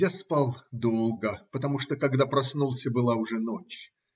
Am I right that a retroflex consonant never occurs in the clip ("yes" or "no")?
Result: no